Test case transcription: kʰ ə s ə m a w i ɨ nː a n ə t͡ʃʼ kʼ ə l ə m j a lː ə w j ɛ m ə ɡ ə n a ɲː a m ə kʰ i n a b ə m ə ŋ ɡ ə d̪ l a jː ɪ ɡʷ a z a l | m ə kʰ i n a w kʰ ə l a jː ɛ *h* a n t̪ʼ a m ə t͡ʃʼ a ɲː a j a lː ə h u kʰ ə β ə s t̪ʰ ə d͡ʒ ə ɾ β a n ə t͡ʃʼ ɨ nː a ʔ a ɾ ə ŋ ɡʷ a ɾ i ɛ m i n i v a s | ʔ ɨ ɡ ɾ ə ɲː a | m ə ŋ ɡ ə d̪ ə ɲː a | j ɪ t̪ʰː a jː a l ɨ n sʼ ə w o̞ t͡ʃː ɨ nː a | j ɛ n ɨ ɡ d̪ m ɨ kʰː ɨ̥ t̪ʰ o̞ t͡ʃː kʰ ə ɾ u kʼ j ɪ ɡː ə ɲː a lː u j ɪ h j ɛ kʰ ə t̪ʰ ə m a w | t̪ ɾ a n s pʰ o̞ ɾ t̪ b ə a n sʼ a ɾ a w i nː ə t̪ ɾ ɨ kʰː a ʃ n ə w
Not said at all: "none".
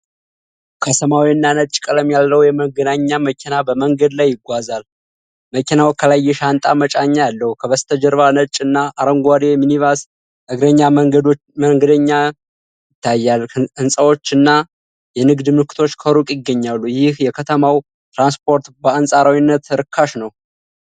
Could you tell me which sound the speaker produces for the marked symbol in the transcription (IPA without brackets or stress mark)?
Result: ʃ